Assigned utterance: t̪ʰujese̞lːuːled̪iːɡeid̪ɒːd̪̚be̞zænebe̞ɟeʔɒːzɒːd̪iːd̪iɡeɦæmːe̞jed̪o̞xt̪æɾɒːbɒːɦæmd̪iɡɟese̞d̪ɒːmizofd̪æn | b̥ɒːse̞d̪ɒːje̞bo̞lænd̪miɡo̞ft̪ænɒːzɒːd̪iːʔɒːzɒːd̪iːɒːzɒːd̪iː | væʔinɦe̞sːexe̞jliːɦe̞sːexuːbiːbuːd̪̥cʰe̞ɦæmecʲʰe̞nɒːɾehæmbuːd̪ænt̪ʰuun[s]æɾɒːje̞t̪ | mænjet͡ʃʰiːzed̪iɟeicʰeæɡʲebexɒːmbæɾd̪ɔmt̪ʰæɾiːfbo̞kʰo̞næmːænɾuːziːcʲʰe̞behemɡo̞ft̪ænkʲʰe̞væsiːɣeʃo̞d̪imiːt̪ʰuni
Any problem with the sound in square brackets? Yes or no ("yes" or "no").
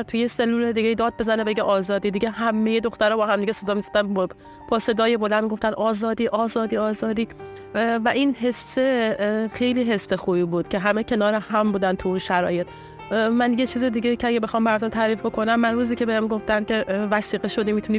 yes